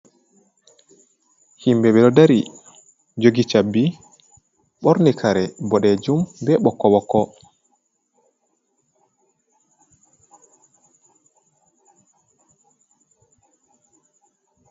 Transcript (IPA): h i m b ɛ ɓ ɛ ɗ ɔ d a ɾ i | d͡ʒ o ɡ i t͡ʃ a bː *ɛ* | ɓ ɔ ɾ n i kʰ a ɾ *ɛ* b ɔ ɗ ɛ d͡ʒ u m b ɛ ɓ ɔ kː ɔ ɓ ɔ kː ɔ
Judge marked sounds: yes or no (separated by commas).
no, yes